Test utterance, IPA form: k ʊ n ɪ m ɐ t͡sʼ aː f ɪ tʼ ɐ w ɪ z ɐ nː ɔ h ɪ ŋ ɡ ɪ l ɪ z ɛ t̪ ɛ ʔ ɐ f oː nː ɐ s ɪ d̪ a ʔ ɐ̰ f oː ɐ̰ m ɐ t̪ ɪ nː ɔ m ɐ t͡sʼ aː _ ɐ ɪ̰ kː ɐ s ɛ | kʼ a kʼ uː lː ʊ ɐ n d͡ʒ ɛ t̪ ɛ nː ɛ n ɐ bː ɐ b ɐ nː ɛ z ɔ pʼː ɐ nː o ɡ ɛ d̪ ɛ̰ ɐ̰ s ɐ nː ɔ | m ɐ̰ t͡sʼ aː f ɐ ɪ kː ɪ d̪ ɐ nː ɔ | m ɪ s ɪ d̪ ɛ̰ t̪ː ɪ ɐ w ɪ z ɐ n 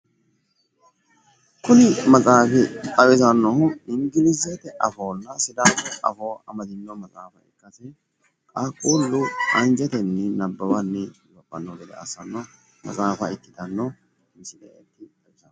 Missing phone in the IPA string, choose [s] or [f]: f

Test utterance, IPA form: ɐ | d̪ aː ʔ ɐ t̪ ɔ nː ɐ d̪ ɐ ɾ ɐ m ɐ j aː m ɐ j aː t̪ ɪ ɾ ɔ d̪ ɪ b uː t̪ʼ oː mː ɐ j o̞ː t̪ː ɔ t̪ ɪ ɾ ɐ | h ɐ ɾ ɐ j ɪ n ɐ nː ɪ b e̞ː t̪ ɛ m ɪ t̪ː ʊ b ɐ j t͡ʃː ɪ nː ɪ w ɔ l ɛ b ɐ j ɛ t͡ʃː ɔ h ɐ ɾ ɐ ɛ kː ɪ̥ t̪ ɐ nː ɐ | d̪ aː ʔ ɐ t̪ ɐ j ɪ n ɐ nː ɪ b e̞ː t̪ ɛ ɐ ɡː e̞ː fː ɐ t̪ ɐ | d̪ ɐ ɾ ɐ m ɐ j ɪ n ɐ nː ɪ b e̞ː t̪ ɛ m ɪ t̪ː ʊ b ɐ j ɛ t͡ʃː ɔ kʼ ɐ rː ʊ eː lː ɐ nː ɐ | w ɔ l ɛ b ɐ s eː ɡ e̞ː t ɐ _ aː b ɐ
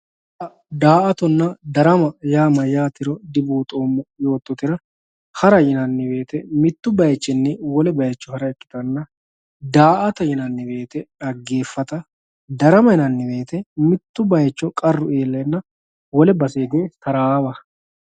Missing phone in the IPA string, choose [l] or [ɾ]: ɾ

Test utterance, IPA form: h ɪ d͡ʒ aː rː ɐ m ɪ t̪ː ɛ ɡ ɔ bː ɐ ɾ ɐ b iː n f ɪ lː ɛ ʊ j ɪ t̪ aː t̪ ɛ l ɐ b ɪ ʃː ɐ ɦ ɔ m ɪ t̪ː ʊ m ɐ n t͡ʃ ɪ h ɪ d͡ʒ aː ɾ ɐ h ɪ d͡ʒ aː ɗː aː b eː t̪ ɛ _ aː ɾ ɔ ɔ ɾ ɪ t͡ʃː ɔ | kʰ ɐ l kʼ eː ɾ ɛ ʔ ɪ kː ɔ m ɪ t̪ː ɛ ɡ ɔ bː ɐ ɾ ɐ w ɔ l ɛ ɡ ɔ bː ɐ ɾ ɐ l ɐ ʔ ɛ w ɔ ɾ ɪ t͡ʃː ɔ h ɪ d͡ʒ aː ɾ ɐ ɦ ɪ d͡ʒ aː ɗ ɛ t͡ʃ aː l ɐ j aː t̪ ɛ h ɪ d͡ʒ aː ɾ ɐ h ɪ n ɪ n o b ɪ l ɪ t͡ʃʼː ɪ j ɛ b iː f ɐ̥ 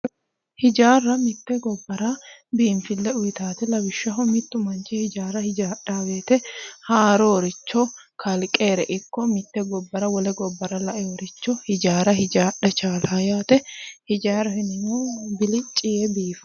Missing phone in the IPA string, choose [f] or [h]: h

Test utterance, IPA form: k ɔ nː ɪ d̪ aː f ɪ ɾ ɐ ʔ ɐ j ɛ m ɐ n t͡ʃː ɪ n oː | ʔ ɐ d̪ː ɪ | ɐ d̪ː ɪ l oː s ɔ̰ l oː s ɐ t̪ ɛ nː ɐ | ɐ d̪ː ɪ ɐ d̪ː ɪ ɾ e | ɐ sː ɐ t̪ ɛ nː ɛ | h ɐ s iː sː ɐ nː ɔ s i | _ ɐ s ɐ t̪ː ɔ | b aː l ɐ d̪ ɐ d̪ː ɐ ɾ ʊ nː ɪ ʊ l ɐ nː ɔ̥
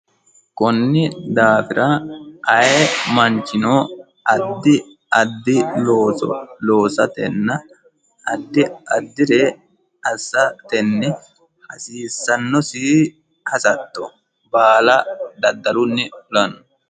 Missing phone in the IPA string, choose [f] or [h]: h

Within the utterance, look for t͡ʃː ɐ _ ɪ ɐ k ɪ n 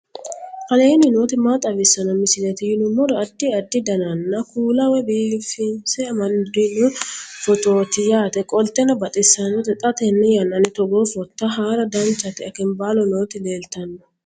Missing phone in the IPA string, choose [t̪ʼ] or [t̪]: t̪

